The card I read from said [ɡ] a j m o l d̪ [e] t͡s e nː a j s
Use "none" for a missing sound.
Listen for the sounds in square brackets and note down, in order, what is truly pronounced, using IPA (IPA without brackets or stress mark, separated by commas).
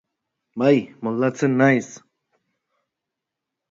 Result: b, a